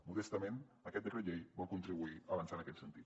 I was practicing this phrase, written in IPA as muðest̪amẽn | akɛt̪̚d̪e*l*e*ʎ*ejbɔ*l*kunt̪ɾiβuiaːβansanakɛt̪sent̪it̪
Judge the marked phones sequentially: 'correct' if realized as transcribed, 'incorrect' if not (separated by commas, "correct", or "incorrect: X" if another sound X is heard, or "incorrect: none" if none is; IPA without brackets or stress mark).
incorrect: r, correct, correct